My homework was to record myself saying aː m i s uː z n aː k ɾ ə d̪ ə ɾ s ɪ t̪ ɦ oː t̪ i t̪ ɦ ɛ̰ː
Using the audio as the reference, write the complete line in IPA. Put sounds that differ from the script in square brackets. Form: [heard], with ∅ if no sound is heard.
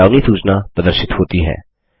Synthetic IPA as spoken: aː [n] i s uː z n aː [p] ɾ ə d̪ ə ɾ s ɪ t̪ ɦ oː t̪ i [∅] ɦ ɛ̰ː